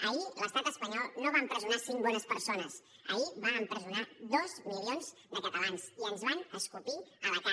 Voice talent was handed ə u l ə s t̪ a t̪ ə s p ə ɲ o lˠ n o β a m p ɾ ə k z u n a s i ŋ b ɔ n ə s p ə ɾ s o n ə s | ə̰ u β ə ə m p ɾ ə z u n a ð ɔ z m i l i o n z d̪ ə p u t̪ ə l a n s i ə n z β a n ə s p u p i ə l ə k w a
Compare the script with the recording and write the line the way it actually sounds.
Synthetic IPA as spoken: ə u l ə s t̪ a t̪ ə s p ə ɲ ɔ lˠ n o β a m p ɾ ə z u n a s i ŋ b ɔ n ə s p ə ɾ s o n ə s | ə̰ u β a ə m p ɾ ə z u n a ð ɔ z m i l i o n z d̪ ə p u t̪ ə l a n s i ə n z β a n ə s k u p i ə l ə k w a